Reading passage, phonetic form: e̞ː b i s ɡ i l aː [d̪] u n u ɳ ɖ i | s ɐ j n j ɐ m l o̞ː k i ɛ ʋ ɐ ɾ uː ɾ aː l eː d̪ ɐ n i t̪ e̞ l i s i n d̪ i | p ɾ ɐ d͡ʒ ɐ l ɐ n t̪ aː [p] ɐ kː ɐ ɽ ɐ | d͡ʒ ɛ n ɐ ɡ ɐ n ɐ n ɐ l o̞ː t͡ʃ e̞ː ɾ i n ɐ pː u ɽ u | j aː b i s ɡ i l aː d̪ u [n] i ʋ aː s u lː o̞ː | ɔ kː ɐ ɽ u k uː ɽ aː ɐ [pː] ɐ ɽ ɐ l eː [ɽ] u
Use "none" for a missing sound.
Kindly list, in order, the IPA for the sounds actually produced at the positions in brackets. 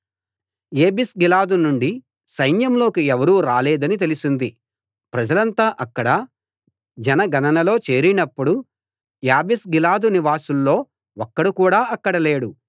d̪, ʔ, n, kː, ɽ

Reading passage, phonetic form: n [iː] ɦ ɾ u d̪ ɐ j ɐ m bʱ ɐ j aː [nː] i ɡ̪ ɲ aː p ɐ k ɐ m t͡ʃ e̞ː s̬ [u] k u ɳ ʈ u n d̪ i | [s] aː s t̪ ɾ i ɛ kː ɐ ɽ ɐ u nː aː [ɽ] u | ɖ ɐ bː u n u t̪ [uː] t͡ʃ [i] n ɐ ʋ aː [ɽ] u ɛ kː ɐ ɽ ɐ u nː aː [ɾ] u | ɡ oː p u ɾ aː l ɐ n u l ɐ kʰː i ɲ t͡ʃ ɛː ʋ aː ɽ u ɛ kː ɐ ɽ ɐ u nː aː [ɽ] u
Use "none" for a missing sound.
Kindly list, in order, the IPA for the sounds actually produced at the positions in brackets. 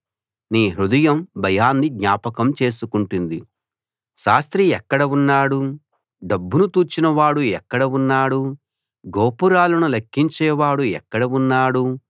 iː, nː, u, ʃ, ɽ, uː, i, ɽ, ɽ, ɽ

